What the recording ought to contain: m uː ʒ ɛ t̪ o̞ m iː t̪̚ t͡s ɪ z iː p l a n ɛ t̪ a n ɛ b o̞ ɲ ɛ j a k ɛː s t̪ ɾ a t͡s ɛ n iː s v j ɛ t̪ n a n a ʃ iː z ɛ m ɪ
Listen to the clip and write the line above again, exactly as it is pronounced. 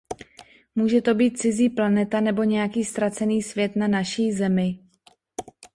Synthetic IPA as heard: m uː ʒ ɛ t̪ o̞ b iː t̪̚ t͡s ɪ z iː p l a n ɛ t̪ a n ɛ b o̞ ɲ ɛ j a k iː s t̪ ɾ a t͡s ɛ n iː s v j ɛ t̪ n a n a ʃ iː z ɛ m ɪ